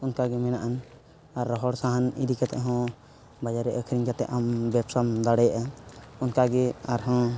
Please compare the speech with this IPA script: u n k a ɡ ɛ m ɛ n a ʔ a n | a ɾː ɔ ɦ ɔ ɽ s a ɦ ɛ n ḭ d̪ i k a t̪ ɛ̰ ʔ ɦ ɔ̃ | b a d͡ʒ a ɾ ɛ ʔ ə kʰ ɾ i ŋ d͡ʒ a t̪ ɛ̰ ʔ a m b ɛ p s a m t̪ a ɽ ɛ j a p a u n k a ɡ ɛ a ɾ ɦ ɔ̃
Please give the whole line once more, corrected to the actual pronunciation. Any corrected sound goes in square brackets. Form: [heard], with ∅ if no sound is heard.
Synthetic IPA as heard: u n k a ɡ ɛ m ɛ n a ʔ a n | a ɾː ɔ ɦ ɔ ɽ s a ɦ [a] n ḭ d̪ i k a t̪ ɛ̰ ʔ ɦ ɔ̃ | b a d͡ʒ a ɾ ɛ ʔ ə kʰ ɾ i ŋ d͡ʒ a t̪ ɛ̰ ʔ a m b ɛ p s a m [d̪] a ɽ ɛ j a [ʔ] a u n k a ɡ ɛ a ɾ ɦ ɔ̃